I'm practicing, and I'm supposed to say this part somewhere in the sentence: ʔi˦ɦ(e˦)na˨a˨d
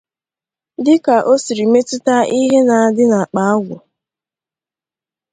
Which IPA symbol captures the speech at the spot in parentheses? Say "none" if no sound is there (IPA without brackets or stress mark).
e˦